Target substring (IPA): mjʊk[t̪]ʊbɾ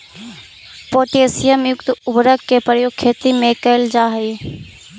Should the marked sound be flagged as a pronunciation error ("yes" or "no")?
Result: no